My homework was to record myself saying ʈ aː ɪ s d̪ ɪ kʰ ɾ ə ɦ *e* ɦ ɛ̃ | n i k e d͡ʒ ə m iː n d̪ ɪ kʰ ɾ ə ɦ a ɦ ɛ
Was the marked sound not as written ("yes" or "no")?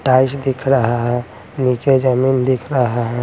yes